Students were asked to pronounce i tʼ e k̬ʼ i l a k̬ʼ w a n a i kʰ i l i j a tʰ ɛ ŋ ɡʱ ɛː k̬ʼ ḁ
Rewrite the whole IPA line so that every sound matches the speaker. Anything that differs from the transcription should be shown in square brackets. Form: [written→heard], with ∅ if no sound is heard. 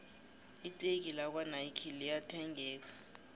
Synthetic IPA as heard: i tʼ e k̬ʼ i l a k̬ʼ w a n a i kʰ i l i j a tʰ ɛ ŋ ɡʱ ɛː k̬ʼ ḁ